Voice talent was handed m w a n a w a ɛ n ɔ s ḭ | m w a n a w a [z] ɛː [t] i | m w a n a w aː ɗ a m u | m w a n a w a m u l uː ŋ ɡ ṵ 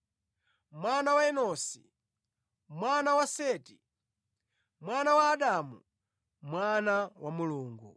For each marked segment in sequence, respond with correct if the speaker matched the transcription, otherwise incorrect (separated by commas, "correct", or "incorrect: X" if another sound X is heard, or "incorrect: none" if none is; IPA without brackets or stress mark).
incorrect: s, correct